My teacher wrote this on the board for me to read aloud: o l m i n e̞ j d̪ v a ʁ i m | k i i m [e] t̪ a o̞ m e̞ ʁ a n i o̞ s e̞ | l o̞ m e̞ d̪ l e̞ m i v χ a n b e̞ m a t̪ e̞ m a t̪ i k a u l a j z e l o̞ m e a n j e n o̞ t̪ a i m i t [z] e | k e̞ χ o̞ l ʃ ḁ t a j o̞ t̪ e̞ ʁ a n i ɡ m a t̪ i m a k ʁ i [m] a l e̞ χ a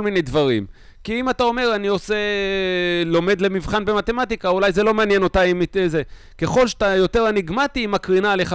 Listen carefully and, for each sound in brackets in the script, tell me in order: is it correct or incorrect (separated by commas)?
incorrect, correct, incorrect